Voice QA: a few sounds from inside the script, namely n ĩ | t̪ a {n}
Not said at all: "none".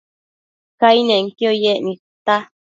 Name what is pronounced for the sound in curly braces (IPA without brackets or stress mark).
none